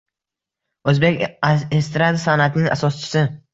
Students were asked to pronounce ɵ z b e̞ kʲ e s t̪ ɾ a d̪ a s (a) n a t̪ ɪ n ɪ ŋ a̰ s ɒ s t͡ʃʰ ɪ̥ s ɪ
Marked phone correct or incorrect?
correct